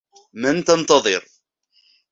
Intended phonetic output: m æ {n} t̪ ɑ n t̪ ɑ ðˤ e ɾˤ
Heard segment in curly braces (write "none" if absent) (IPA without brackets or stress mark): n